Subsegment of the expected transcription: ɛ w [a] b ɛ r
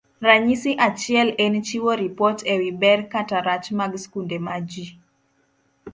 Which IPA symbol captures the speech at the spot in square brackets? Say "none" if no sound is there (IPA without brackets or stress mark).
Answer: i